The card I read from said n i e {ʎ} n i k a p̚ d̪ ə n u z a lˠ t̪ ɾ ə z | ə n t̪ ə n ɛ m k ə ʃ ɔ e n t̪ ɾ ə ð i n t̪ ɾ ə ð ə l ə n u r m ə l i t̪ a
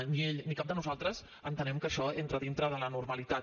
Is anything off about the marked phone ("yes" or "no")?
no